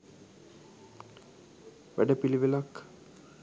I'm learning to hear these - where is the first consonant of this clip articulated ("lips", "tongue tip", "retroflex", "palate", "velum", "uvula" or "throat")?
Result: lips